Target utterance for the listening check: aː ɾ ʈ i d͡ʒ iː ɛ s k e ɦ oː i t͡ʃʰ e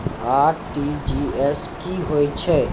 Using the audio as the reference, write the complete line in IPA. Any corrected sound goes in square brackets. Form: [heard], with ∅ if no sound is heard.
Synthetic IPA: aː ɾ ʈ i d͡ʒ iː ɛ s k [i] ɦ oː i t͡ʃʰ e